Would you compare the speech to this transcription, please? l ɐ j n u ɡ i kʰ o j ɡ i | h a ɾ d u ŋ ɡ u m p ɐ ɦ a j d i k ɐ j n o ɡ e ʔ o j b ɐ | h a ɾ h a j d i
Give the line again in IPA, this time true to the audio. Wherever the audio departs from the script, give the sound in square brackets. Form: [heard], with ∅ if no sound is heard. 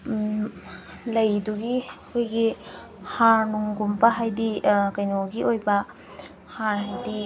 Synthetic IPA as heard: l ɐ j [d] u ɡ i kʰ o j ɡ i | h a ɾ [n] u ŋ ɡ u m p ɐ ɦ a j d i k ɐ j n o ɡ [i] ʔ o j b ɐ | h a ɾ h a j d i